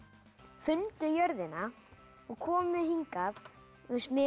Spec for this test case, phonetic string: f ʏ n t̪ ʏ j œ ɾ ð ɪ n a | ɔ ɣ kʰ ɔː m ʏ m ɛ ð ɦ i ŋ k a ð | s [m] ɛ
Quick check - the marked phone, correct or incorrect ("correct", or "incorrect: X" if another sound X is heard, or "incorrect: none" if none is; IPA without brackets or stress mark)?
correct